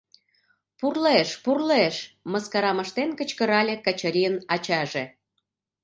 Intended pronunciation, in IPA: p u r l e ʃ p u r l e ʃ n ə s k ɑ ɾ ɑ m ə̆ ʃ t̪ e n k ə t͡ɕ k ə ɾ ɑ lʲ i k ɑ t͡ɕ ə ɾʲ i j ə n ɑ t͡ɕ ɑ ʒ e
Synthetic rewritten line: p u r l e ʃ p u r l e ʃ m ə s k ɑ ɾ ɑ m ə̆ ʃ t̪ e n k ə t͡ɕ k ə ɾ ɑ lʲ e k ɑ t͡ɕ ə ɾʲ i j ə n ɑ t͡ɕ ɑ ʒ e